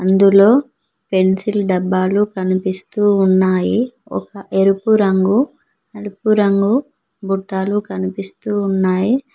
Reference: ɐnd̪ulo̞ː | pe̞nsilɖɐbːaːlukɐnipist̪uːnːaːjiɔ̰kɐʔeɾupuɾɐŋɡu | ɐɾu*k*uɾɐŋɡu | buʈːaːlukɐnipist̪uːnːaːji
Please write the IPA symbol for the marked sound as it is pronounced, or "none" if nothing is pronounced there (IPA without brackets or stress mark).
p